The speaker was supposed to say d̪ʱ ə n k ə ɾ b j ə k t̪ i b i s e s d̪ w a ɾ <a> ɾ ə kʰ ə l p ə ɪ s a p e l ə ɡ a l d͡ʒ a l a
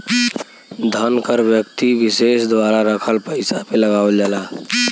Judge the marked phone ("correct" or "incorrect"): correct